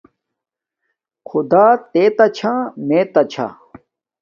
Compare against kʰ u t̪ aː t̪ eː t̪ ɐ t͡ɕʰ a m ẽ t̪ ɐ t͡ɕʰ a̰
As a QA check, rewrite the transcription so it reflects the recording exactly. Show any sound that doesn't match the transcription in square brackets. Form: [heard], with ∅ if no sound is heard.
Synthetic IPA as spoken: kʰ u [d̪] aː t̪ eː t̪ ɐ t͡ɕʰ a m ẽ t̪ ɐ t͡ɕʰ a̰